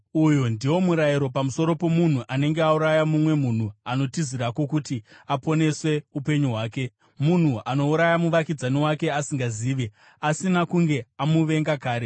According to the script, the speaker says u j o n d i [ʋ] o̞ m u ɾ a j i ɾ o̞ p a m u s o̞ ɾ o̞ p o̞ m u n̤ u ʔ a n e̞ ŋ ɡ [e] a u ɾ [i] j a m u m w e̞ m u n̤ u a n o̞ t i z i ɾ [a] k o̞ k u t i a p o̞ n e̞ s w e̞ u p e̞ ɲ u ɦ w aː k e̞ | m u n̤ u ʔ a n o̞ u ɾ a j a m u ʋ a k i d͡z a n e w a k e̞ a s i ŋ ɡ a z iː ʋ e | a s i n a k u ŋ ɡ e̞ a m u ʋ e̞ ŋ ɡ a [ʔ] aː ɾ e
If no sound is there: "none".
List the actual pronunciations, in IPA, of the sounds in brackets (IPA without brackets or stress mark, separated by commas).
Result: w, e, a, a, k